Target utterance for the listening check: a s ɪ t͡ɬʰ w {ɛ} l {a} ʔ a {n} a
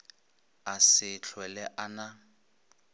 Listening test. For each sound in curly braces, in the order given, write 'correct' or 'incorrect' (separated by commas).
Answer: correct, incorrect, correct